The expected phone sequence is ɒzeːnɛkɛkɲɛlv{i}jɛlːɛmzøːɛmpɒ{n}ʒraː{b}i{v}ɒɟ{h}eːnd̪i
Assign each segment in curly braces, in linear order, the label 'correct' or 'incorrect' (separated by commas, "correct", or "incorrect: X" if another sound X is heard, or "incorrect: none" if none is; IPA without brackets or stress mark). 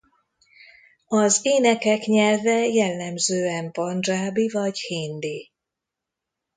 incorrect: ɛ, correct, correct, correct, correct